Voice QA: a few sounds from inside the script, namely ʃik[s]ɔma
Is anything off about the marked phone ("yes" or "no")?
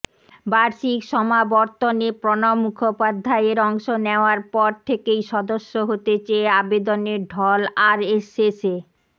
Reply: yes